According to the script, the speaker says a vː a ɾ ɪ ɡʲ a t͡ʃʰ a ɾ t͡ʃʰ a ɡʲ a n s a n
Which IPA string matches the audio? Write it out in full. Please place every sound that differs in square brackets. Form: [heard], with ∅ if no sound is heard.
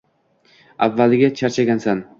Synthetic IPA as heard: a vː a [l] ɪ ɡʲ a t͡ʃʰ a ɾ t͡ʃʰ a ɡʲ a n s a n